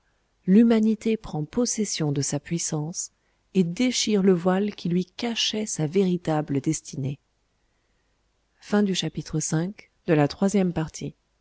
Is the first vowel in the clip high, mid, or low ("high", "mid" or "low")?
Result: high